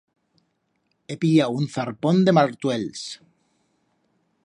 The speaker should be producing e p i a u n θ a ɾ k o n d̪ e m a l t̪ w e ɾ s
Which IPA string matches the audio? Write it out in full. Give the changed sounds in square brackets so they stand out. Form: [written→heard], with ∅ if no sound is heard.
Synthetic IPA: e p i a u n θ a ɾ [k→p] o n d̪ e m a [l→ɾ] t̪ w e [ɾ→l] s